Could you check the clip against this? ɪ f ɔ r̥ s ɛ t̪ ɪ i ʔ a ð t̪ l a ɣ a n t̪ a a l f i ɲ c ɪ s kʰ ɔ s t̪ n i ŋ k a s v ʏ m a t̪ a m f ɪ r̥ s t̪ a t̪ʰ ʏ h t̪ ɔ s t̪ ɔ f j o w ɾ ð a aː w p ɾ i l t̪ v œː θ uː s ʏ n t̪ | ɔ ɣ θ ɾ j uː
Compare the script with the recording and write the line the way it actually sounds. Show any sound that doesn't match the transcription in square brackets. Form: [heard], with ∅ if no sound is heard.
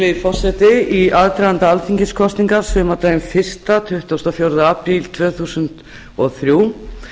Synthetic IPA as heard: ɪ f ɔ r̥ s ɛ t̪ ɪ i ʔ a ð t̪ [ɾ] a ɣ a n t̪ a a l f i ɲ c ɪ s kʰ ɔ s t̪ n i ŋ k a s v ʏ m a t̪ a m f ɪ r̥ s t̪ a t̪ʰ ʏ h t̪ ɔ s t̪ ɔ f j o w ɾ ð a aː [∅] p ɾ i l [t̪ʰ] v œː θ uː s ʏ n t̪ | ɔ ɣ θ ɾ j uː

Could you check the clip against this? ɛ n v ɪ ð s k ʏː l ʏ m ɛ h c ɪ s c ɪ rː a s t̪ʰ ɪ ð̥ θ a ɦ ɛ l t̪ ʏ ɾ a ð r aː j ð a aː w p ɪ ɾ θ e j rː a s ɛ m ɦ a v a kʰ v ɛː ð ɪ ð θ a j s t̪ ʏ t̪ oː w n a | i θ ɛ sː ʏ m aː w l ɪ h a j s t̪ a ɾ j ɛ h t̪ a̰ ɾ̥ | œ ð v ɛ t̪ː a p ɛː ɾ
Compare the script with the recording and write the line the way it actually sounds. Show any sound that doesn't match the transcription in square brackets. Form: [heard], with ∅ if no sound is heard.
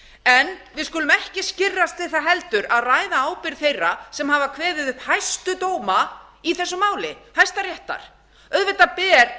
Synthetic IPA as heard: ɛ n v ɪ ð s k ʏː l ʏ m ɛ h c ɪ s c ɪ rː a s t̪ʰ ɪ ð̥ θ a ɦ ɛ l t̪ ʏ ɾ a ð r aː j ð a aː w p ɪ ɾ θ e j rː a s ɛ m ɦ a v a kʰ v ɛː ð ɪ ð [h] a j s t̪ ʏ t̪ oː w [m] a | i θ ɛ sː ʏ m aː w l ɪ h a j s t̪ a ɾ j ɛ h t̪ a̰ ɾ̥ | œ ð v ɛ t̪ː a p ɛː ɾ

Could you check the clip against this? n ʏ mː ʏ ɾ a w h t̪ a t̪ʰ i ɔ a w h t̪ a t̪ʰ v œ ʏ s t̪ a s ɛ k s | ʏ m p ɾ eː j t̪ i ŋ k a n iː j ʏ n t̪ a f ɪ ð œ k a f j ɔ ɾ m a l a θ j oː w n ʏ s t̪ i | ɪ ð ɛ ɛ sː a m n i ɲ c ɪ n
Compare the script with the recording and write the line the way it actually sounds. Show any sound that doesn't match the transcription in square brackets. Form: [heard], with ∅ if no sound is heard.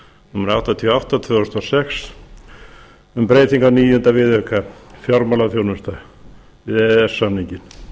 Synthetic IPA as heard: n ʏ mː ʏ ɾ a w h t̪ a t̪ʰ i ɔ a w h t̪ a t̪ʰ v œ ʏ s t̪ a s ɛ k s | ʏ m p ɾ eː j t̪ i ŋ k a n iː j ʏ n t̪ a [v] ɪ ð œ k a f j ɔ ɾ m a l a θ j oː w n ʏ s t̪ [a] | ɪ ð ɛ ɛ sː a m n i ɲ c ɪ n

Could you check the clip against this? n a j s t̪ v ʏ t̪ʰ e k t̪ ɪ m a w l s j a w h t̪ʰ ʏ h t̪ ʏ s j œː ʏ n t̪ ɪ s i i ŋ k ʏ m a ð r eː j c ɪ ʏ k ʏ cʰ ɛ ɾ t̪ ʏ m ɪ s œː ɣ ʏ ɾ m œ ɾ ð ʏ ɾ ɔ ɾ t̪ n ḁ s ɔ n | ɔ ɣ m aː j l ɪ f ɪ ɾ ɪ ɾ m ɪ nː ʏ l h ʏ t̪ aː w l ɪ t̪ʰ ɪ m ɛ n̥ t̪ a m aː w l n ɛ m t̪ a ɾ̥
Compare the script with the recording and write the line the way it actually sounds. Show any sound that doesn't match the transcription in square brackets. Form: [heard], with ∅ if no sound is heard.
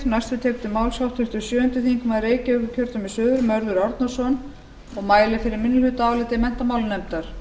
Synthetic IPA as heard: n a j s t̪ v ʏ t̪ʰ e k t̪ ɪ m a w l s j a w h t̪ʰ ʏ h t̪ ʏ s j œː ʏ n t̪ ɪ [θ] i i ŋ k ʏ m a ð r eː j c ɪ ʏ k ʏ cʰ [œ] ɾ t̪ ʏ m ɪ s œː [ð] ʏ ɾ m œ ɾ ð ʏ ɾ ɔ ɾ t̪ n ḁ s ɔ n | ɔ ɣ m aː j l ɪ f ɪ ɾ ɪ ɾ m ɪ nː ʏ l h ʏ t̪ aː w l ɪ [t̪] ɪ m ɛ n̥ t̪ a m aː w l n ɛ m t̪ a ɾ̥

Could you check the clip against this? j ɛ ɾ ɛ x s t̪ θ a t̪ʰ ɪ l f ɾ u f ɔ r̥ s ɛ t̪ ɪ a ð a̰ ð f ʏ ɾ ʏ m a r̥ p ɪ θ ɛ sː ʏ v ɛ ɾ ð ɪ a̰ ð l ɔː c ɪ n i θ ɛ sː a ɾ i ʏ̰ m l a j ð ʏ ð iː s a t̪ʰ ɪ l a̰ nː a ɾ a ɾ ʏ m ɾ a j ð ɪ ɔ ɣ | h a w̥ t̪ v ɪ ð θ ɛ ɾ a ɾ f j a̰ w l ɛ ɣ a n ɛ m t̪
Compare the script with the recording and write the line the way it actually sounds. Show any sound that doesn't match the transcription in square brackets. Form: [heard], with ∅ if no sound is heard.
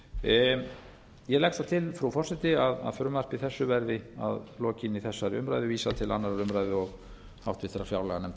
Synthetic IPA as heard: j ɛ [l] ɛ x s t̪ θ a t̪ʰ ɪ l f ɾ u f ɔ r̥ s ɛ t̪ ɪ a ð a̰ ð f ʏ ɾ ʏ m a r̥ p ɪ θ ɛ sː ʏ v ɛ ɾ ð ɪ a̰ ð l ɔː c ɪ n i θ ɛ sː a ɾ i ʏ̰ m [ɾ] a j ð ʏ [v] iː s a t̪ʰ ɪ l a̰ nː a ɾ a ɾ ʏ m ɾ a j ð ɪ ɔ ɣ | h a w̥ t̪ v ɪ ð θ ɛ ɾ a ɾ f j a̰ w l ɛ ɣ a n ɛ m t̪

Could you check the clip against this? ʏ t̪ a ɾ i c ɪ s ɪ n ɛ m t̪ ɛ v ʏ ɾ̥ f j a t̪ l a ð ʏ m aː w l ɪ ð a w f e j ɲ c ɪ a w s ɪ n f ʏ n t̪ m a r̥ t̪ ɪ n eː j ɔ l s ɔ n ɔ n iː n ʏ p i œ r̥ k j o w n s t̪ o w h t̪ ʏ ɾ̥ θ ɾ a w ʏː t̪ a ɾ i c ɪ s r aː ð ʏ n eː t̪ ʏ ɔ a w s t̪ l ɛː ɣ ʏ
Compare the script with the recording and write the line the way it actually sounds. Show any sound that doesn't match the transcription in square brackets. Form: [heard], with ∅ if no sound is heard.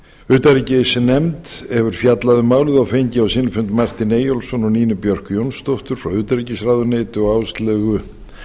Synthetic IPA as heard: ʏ t̪ a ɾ i c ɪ s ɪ n ɛ m t̪ ɛ v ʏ ɾ̥ f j a t̪ l a ð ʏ m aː w l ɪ ð a w f e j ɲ c ɪ a w s ɪ n f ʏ n t̪ m a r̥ t̪ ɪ n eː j ɔ l s ɔ n ɔ n iː n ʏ p [j] œ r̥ k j o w n s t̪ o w h t̪ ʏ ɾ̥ [f] ɾ a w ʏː t̪ a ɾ i c ɪ s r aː ð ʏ n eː t̪ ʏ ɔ a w s t̪ l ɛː ɣ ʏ

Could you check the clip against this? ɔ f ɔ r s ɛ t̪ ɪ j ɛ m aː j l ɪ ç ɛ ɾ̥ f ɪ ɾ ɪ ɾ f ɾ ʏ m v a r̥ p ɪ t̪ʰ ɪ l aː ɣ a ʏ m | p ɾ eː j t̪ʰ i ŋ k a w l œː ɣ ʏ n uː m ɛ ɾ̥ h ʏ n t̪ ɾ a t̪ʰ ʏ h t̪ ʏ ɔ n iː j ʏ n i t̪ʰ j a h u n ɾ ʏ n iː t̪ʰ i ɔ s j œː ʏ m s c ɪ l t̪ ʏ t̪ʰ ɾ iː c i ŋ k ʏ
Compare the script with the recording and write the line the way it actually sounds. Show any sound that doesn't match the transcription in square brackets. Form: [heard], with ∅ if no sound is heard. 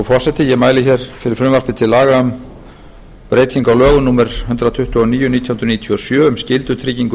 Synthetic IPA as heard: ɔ f ɔ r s ɛ t̪ ɪ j ɛ m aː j l ɪ ç ɛ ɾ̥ f ɪ ɾ ɪ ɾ f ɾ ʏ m v a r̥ p ɪ t̪ʰ ɪ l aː ɣ a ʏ m | p ɾ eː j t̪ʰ i ŋ k a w l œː ɣ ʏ n uː m ɛ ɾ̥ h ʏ n t̪ ɾ a t̪ʰ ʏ h t̪ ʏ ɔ n iː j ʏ n i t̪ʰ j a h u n ɾ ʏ n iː t̪ʰ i ɔ s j œː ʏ m s c ɪ l t̪ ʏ t̪ʰ ɾ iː c i ŋ k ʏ

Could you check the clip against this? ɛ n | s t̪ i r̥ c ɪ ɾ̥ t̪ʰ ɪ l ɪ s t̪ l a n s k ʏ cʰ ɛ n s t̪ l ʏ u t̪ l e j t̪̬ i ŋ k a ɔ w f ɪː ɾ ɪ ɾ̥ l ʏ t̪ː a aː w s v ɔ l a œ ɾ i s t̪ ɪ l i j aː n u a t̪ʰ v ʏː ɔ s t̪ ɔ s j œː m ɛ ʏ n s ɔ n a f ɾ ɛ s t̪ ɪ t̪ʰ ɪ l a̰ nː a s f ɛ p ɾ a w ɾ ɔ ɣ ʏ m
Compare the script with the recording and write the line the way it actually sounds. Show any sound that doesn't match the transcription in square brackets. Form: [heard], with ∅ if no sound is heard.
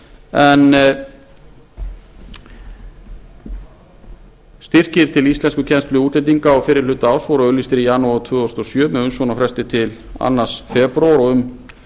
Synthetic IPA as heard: ɛ n | s t̪ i r̥ c ɪ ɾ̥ t̪ʰ ɪ l [i] s t̪ l [ɛ] n s k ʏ cʰ ɛ n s t̪ l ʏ u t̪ l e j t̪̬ i ŋ k a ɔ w f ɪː ɾ ɪ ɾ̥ l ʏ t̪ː a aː w s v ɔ [ɾ] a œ [l] i s t̪ ɪ [ɾ] i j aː n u a t̪ʰ v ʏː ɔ s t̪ ɔ s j œː m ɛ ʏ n s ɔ n a f ɾ ɛ s t̪ ɪ t̪ʰ ɪ l a̰ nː a s f ɛ p ɾ a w ɾ ɔ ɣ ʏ m

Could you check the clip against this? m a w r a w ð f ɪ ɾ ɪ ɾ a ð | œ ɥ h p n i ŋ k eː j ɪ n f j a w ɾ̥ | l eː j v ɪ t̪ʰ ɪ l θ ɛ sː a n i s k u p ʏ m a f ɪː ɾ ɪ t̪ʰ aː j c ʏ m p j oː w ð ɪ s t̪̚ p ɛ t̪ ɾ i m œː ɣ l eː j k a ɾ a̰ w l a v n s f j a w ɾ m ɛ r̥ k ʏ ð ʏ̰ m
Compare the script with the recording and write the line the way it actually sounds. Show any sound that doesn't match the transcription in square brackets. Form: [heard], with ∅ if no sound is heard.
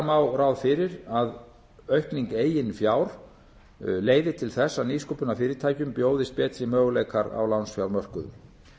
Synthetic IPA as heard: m a w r a w ð f ɪ ɾ ɪ ɾ a ð | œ ɥ h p n i ŋ k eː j ɪ n f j a w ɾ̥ | l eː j [ð] ɪ t̪ʰ ɪ l θ ɛ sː a n i s k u p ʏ [n] a f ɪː ɾ ɪ t̪ʰ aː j c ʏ m p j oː w ð ɪ s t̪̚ p [ɛː] t̪ ɾ i m œː ɣ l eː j k a ɾ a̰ w l a [w] n s f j a w ɾ m [œ] r̥ k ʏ ð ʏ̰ m

